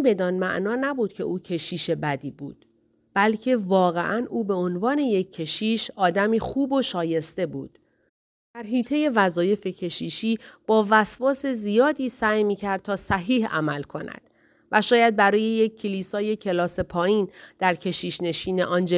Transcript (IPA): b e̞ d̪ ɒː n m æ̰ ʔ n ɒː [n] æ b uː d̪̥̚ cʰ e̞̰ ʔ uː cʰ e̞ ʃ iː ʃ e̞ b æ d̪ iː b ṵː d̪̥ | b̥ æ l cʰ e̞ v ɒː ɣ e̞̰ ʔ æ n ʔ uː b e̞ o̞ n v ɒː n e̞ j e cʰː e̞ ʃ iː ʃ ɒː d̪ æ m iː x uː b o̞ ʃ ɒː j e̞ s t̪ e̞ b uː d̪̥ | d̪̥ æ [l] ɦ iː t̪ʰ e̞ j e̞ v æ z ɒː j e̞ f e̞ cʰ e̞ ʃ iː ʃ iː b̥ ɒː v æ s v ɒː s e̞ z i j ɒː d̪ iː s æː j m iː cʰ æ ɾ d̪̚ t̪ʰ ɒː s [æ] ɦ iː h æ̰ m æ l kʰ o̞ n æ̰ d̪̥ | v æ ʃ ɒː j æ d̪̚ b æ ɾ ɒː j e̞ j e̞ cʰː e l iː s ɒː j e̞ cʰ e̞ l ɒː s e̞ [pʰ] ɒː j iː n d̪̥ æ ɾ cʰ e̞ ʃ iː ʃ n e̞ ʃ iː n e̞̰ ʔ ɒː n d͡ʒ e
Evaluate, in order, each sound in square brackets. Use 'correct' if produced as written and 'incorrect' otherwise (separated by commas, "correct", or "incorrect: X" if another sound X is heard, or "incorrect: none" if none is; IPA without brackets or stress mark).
correct, incorrect: ɾ, correct, correct